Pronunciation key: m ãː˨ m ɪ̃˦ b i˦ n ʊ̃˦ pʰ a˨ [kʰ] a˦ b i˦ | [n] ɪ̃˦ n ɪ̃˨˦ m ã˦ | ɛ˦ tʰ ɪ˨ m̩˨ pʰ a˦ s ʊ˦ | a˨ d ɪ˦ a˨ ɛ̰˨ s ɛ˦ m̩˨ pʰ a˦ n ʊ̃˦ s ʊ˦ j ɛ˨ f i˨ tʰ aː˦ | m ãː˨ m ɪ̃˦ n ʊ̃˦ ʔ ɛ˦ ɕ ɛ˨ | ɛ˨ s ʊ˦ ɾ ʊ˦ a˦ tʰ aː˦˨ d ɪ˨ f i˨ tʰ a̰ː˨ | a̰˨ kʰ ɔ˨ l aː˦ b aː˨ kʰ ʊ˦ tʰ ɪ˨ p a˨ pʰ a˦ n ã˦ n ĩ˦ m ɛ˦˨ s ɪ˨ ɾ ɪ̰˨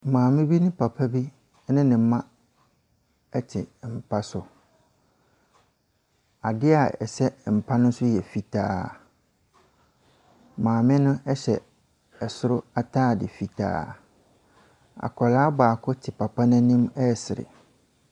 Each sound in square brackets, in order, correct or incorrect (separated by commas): incorrect, correct